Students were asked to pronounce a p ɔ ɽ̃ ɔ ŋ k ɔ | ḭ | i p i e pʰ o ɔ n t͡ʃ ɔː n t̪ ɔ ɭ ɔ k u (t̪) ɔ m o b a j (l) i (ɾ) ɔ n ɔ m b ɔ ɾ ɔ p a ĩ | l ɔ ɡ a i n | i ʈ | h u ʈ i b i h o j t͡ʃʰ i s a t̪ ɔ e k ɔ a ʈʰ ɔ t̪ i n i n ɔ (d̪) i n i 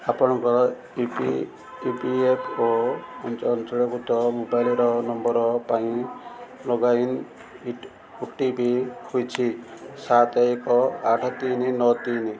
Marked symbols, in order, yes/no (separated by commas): yes, yes, yes, no